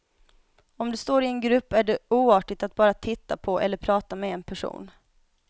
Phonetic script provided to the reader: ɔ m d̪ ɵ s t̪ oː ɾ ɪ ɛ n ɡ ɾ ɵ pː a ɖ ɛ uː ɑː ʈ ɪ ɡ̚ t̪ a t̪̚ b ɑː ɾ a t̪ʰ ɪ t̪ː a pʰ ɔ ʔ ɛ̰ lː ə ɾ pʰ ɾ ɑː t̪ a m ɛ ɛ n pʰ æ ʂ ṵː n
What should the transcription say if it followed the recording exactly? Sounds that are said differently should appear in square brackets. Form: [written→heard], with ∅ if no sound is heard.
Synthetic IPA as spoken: ɔ m d̪ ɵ s t̪ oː ɾ ɪ ɛ n ɡ ɾ ɵ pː [a→æ] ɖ ɛ uː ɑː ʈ ɪ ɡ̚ t̪ a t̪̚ b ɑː ɾ a t̪ʰ ɪ t̪ː a pʰ ɔ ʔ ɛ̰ lː ə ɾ pʰ ɾ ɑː t̪ a m ɛ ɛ n pʰ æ ʂ ṵː n